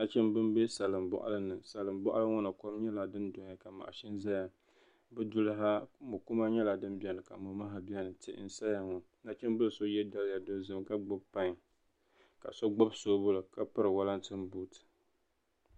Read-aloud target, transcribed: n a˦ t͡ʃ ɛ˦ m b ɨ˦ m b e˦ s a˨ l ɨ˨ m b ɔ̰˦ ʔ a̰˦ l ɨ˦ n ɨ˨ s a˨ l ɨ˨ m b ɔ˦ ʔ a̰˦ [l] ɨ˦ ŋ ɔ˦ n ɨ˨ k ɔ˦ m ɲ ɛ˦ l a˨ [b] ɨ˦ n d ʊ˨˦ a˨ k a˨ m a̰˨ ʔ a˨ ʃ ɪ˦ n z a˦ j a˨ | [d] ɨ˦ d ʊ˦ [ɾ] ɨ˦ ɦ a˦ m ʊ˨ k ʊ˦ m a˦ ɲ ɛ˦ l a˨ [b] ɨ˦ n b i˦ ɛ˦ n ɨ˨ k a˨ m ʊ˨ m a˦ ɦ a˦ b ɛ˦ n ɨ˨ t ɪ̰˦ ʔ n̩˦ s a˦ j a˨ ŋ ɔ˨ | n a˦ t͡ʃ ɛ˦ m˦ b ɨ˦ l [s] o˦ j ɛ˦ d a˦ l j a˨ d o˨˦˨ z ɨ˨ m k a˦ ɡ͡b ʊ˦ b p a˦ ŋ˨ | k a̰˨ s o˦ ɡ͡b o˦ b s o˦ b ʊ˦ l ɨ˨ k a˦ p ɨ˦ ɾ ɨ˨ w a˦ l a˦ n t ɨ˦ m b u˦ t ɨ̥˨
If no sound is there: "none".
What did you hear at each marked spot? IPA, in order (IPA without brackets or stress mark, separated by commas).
l, d, b, l, d, s